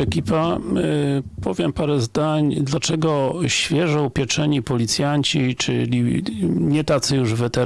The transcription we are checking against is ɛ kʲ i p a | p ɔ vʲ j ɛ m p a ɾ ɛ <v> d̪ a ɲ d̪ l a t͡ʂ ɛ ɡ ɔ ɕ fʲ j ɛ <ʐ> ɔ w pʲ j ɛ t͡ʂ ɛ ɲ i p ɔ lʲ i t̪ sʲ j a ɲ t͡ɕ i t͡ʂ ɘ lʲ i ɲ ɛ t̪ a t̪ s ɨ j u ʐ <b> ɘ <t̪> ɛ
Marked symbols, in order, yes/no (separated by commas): no, yes, no, yes